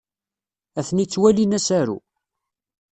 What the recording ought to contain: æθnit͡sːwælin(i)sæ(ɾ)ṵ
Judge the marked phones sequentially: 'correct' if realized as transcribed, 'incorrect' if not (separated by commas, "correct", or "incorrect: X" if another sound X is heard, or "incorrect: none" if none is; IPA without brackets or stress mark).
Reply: incorrect: æ, correct